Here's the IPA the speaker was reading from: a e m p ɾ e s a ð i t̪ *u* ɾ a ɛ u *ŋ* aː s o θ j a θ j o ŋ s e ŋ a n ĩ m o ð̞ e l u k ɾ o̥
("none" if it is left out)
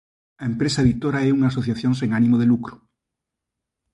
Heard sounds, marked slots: o, ŋ

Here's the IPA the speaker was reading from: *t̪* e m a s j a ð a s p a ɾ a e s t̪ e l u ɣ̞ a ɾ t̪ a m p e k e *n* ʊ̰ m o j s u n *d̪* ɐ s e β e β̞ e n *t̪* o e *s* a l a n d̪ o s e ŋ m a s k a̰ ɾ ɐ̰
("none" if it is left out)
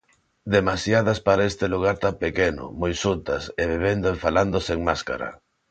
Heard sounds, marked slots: d̪, n, t̪, d̪, f

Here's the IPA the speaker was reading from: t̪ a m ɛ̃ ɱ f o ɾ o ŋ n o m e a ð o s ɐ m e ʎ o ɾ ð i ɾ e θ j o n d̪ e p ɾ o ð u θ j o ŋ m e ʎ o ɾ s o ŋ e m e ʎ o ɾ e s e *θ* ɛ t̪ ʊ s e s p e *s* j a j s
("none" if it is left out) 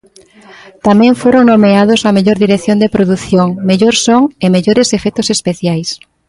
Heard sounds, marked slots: f, θ

